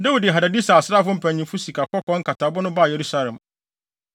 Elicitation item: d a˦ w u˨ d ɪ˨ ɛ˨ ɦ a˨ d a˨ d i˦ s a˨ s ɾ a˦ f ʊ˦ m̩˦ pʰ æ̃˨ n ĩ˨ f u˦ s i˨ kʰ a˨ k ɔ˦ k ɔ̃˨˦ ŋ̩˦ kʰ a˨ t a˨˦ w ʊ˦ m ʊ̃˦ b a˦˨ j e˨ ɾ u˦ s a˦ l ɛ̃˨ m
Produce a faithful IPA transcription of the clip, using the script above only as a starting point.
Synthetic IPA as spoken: d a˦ w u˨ d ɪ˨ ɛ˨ ɦ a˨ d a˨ d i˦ s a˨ s ɾ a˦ f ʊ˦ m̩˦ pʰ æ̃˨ ɲ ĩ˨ f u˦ s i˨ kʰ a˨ k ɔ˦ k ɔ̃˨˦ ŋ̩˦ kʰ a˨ t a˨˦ b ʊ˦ n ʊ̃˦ b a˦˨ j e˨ ɾ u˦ s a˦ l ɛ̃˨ m